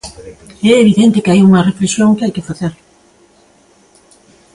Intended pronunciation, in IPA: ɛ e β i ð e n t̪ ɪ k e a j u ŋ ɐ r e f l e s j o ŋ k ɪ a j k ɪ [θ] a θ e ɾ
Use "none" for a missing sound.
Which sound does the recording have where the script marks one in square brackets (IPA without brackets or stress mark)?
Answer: f